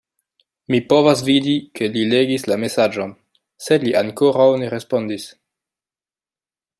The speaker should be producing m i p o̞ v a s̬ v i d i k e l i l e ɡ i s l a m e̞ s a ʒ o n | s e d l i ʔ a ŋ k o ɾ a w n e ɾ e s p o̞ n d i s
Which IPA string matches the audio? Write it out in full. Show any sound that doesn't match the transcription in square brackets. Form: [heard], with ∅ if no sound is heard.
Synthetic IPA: m i p o̞ v a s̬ v i d i k e l i l e ɡ i s l a m e̞ s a [d͡ʒ] o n | s e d l i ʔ a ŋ k o ɾ a w n e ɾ e s p o̞ n d i s